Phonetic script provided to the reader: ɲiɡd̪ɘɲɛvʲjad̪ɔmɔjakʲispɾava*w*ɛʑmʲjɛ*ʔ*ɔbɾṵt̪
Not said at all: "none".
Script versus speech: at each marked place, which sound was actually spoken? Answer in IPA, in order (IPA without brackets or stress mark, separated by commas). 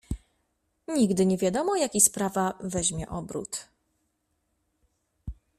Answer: v, ʔ